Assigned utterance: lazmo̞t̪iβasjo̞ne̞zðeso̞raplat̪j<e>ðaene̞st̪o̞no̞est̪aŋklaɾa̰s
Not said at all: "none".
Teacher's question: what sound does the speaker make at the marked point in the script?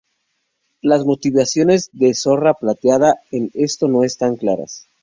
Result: a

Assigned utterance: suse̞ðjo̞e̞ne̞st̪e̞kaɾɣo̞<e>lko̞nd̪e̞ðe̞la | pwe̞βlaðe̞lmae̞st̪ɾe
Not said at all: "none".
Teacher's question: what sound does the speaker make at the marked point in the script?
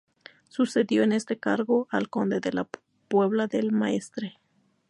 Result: a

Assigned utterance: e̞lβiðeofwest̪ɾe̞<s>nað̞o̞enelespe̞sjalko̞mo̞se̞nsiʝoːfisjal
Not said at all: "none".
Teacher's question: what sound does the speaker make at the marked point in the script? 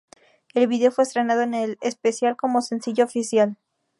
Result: none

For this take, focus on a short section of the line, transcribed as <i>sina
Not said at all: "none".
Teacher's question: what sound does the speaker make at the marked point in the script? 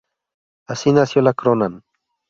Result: a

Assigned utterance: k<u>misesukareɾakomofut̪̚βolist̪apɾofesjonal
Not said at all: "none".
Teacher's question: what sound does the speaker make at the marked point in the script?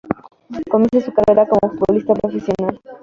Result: o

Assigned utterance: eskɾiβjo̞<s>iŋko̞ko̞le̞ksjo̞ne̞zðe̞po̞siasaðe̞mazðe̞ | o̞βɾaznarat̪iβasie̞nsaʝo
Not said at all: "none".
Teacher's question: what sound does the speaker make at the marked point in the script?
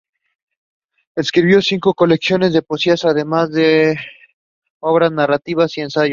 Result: s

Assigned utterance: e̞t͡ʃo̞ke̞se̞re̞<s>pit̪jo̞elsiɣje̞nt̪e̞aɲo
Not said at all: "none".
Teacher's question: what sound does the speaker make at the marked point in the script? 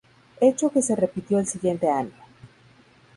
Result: none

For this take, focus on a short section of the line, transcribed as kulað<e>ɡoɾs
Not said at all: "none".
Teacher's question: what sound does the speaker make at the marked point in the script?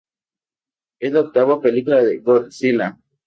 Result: e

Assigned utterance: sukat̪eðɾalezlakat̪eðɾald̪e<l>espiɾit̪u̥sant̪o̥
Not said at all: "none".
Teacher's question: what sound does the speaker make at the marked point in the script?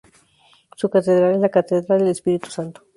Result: l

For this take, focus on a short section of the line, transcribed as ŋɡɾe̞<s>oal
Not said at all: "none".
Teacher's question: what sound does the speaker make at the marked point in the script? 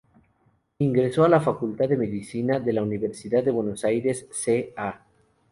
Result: s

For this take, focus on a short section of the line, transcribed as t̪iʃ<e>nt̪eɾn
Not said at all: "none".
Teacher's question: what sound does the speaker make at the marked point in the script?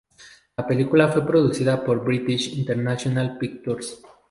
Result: i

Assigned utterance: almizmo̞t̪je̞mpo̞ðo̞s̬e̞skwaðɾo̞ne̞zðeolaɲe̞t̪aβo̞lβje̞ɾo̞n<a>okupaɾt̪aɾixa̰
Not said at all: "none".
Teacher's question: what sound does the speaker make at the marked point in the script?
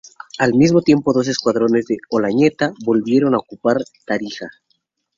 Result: a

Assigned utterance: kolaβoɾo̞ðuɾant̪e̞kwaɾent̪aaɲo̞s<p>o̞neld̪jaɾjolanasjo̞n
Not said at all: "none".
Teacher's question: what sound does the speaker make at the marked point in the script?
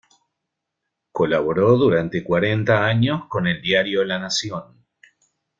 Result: k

